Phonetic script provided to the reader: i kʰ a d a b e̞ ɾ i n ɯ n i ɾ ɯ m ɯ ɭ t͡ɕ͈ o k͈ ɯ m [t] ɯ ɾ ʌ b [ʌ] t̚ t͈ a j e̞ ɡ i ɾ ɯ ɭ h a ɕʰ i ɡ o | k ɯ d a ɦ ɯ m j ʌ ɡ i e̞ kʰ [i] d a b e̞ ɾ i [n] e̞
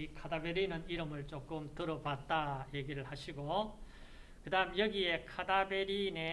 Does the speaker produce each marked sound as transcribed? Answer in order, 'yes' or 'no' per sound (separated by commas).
yes, no, no, yes